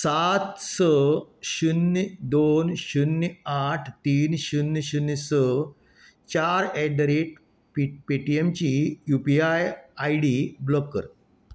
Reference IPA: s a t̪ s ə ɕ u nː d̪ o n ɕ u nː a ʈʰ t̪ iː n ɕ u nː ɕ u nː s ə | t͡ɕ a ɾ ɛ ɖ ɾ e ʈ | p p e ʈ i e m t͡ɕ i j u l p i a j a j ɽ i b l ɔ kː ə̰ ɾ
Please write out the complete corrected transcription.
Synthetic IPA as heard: s a t̪ s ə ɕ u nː d̪ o n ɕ u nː a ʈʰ t̪ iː n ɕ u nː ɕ u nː s ə | t͡ɕ a ɾ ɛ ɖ ɾ e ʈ | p p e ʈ i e m t͡ɕ i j u p i a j a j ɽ i b l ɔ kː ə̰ ɾ

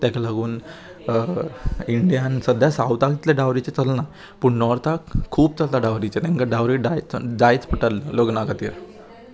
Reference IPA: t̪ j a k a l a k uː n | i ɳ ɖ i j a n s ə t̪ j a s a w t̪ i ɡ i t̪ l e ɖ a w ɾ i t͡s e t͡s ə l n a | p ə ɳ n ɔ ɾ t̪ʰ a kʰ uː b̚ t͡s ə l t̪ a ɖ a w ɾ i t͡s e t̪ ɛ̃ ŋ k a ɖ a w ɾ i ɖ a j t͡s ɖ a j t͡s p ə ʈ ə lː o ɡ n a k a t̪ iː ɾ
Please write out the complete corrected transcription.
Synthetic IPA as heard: t̪ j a k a l a ɡ uː n | i ɳ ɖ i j a n s ə d̪ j a s a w t̪ a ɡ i t̪ l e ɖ a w ɾ i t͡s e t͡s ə l n a | p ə ɳ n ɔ ɾ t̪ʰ a kʰ uː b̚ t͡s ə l t̪ a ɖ a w ɾ i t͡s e t̪ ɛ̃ ŋ k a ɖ a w ɾ i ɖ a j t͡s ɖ a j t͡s p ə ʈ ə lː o ɡ n a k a t̪ iː ɾ

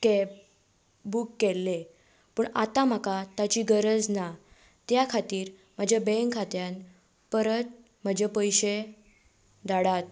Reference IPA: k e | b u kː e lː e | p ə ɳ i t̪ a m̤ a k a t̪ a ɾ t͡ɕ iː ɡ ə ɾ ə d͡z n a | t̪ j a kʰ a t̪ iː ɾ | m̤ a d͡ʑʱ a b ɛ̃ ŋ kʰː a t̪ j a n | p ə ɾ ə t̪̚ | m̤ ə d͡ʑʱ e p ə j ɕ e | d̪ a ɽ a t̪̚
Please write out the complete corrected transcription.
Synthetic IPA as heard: k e | b u kː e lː e | p ə ɳ a t̪ a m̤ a k a t̪ a t͡ɕ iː ɡ ə ɾ ə d͡z n a | t̪ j a kʰ a t̪ iː ɾ | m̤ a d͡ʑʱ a b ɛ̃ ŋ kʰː a t̪ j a n | p ə ɾ ə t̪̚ | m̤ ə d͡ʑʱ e p ə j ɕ e | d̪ a ɽ a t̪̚

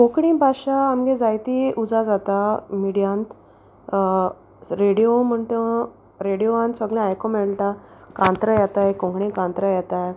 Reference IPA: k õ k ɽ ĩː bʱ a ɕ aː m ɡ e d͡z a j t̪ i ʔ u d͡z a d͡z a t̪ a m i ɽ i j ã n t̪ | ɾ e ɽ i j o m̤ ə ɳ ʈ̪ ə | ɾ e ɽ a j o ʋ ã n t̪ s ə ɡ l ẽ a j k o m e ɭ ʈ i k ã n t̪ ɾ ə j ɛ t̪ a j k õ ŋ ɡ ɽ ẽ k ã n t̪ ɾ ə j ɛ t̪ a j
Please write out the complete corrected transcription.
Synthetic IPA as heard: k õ k ɽ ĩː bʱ a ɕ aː m ɡ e d͡z a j t̪ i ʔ u d͡z a d͡z a t̪ a m i ɽ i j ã n t̪ | ɾ e ɽ i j o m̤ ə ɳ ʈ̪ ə | ɾ e ɽ i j o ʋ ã n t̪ s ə ɡ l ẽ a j k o m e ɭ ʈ a k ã n t̪ ɾ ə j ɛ t̪ a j k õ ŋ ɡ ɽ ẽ k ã n t̪ ɾ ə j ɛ t̪ a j

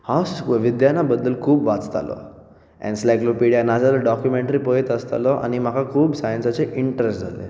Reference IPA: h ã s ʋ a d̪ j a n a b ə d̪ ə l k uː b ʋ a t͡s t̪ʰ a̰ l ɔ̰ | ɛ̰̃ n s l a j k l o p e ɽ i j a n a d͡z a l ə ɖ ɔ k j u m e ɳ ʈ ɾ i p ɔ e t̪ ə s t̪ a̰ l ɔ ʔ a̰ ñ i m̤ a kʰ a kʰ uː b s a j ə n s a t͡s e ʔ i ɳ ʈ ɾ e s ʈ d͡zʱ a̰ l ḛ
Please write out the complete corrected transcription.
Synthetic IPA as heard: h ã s ʋ i d̪ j a n a b ə d̪ː ə l kʰ uː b ʋ a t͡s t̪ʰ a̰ l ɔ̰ | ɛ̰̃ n s l a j k l o p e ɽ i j a n a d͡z a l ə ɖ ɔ k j u m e ɳ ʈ ɾ i p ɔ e t̪ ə s t̪ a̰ l ɔ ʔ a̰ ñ i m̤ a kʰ a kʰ uː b s a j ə n s a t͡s e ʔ i ɳ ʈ ɾ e s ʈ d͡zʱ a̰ l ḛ

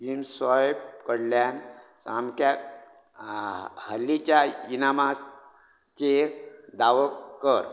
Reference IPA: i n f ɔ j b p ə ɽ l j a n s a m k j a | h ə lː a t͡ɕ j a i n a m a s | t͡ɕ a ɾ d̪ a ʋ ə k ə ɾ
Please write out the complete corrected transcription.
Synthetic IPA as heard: i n s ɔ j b k ə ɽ l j a n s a m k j a | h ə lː i t͡ɕ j a i n a m a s | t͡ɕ e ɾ d̪ a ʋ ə k ə ɾ

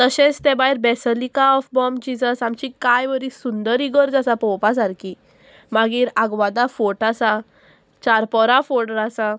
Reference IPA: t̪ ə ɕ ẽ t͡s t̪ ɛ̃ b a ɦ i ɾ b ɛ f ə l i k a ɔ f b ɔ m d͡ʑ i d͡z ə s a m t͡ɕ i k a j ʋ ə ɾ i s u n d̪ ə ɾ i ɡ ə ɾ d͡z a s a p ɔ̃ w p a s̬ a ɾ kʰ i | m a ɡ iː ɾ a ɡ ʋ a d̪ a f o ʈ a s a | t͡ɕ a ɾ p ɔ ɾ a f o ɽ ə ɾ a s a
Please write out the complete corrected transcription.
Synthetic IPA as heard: t̪ ə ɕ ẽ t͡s t̪ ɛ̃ b a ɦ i ɾ b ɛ s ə l i k a ɔ f b ɔ m d͡ʑ i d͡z ə s a m t͡ɕ i k a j ʋ ə ɾ i s u n d̪ ə ɾ i ɡ ə ɾ d͡z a s a p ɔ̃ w p a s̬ a ɾ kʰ i | m a ɡ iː ɾ a ɡ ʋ a d̪ a f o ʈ a s a | t͡ɕ a ɾ p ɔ ɾ a f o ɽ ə ɾ a s a

